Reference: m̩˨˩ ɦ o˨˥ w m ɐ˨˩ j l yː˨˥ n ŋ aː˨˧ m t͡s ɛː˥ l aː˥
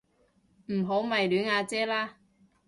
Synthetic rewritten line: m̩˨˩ ɦ o˨˥ w m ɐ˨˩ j l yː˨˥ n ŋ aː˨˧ t͡s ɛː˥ l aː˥